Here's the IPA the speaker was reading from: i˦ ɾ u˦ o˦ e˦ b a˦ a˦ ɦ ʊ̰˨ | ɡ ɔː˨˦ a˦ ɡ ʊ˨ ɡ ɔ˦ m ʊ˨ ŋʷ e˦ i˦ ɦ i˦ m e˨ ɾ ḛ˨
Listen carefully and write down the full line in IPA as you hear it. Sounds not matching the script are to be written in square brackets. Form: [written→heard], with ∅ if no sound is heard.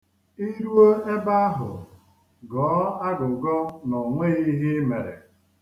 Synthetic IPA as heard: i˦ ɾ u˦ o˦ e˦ b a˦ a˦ ɦ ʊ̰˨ | ɡ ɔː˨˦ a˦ ɡ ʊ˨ ɡ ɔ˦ [m→n] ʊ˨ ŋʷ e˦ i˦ ɦ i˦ m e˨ ɾ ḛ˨